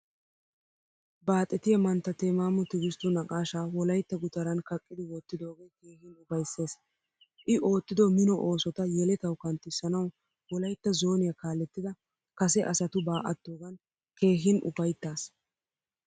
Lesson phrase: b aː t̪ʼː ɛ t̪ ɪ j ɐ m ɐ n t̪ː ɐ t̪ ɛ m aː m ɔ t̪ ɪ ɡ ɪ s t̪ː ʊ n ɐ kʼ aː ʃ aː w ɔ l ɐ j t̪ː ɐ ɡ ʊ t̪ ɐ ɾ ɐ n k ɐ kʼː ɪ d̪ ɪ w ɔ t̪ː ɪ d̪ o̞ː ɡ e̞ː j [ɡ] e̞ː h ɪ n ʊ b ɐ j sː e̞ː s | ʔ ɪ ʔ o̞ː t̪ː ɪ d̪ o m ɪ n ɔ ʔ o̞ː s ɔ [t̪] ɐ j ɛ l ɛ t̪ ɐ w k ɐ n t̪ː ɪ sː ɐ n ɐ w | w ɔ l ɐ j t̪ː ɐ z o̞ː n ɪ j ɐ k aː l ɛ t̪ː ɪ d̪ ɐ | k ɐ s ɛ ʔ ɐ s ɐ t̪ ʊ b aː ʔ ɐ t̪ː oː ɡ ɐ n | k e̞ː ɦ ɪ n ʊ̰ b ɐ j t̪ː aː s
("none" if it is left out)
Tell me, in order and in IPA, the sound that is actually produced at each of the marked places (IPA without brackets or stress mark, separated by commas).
k, t̪